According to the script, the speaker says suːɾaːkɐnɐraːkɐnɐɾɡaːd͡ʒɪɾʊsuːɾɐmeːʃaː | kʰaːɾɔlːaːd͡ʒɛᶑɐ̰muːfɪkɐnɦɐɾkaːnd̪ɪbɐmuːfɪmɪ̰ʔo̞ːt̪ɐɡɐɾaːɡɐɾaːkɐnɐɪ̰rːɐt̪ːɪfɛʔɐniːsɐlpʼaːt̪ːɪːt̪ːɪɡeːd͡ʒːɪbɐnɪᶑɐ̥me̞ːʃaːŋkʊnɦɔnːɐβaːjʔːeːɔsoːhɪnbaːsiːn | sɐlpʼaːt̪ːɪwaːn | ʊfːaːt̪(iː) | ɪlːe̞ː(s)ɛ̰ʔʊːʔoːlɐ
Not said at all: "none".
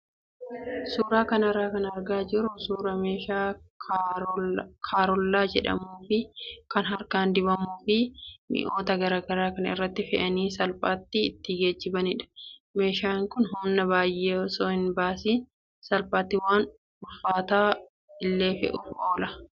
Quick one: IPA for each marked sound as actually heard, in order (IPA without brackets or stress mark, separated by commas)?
aː, f